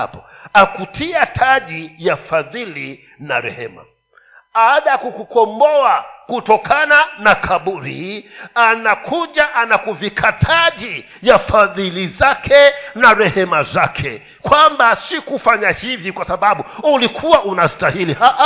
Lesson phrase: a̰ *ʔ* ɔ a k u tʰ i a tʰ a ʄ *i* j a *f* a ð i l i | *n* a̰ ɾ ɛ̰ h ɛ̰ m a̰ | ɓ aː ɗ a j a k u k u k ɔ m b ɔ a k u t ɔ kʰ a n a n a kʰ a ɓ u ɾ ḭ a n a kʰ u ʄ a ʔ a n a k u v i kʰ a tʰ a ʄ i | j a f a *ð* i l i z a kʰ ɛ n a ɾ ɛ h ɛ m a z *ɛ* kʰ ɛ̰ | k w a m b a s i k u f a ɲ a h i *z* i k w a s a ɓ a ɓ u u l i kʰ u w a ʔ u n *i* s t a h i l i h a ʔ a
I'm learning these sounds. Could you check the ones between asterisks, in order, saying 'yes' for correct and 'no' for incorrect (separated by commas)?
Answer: no, yes, yes, yes, yes, no, no, no